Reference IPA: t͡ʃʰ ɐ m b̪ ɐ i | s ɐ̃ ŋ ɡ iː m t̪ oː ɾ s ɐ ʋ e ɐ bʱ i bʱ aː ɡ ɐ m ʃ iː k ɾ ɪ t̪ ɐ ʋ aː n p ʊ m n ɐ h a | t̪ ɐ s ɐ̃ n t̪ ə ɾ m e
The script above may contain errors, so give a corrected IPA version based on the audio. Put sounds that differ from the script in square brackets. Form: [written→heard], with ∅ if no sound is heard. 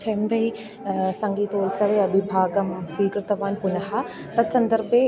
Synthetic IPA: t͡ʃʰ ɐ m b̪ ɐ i | s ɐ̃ ŋ ɡ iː [m→∅] t̪ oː [ɾ→l] s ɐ ʋ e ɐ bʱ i bʱ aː ɡ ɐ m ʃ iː k ɾ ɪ t̪ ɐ ʋ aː n p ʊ [m→∅] n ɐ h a | t̪ ɐ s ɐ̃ n [t̪→d̪] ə ɾ [m→b] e